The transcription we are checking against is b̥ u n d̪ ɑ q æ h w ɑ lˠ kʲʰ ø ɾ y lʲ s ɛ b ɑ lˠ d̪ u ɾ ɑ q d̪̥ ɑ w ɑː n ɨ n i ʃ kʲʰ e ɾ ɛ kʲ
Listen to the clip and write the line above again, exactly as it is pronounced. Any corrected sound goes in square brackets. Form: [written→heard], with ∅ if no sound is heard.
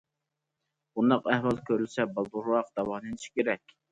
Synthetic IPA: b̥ u n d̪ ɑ q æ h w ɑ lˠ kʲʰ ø ɾ y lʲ s ɛ b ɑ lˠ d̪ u ɾ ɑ q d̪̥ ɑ w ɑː n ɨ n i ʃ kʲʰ e ɾ ɛ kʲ